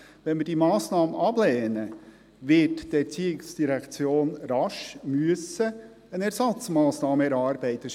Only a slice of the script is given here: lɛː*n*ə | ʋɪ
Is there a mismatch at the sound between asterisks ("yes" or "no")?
no